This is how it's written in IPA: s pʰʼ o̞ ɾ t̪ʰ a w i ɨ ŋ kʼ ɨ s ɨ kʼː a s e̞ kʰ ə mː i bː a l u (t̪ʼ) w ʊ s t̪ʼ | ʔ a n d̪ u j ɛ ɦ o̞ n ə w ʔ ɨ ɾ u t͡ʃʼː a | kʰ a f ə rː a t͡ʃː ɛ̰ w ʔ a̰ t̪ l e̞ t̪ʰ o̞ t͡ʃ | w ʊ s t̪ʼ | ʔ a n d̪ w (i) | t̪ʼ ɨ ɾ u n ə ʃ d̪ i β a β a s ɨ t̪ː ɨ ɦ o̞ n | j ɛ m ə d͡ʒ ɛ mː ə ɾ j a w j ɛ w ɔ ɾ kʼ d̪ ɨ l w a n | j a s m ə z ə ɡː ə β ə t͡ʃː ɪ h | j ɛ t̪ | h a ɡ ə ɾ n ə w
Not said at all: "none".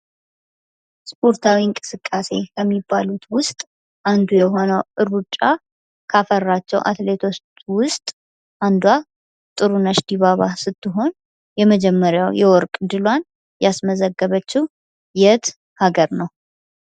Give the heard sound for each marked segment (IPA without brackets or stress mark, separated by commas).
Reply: t̪, a